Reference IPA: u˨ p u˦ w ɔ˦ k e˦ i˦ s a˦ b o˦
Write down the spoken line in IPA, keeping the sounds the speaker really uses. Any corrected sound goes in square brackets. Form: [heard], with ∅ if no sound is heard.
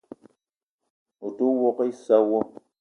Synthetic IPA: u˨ [t] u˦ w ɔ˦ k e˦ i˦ s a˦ [w] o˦